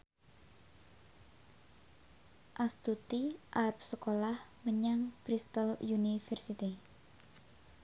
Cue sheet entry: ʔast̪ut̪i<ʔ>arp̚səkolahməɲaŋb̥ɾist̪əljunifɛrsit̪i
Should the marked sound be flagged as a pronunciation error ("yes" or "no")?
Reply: no